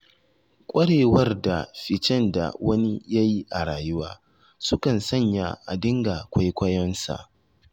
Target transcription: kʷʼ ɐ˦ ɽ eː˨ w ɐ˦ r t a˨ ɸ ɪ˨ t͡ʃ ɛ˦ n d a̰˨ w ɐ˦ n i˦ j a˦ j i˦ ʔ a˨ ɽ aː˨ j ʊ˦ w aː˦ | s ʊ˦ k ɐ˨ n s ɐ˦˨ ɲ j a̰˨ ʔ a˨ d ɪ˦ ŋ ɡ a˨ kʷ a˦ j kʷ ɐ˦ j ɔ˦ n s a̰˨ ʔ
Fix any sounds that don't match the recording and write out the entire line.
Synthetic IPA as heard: kʷʼ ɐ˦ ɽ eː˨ w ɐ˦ r d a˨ ɸ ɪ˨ t͡ʃ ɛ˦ n d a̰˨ w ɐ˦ n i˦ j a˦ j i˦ ʔ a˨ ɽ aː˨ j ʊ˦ w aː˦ | s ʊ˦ k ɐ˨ n s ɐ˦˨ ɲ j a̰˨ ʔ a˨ d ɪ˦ ŋ ɡ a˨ kʷ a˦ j kʷ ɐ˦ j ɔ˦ n s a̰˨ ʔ